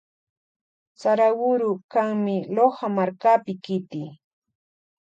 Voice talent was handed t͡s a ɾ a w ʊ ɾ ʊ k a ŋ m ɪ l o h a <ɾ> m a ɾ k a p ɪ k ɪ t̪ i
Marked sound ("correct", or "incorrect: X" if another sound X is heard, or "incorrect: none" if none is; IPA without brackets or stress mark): incorrect: none